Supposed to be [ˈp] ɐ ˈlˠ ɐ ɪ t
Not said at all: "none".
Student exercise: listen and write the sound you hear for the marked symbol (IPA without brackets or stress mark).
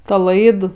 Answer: t